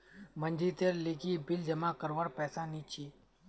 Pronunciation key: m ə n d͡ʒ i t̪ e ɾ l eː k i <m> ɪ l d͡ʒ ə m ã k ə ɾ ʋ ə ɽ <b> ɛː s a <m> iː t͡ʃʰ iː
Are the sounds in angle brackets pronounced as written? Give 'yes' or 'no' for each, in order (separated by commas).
no, no, no